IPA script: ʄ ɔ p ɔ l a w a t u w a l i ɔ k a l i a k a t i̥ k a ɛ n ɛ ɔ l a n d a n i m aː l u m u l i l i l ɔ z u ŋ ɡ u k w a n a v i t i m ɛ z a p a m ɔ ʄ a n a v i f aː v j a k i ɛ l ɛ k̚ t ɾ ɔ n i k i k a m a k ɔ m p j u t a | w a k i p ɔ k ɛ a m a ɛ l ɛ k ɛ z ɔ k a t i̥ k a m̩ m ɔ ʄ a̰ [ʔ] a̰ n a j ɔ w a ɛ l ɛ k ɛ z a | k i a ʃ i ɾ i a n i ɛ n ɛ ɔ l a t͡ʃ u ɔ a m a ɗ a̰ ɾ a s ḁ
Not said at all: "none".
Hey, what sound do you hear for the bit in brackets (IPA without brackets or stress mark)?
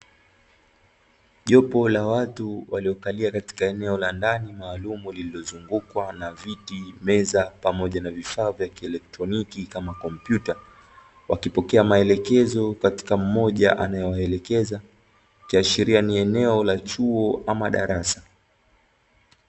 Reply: ʔ